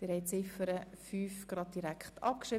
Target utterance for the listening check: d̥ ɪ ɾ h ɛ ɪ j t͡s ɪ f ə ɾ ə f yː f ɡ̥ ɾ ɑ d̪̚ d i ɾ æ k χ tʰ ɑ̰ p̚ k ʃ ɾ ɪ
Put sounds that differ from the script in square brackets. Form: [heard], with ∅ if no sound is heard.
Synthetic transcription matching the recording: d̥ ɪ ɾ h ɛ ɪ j t͡s ɪ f ə ɾ ə f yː f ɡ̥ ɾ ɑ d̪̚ d i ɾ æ k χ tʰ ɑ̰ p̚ k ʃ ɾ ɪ